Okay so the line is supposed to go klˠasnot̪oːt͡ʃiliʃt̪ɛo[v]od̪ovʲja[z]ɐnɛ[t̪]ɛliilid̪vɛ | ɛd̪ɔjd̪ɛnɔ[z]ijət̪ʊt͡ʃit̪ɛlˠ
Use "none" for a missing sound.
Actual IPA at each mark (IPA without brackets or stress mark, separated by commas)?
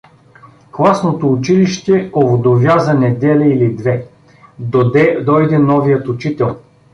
v, z, d̪, v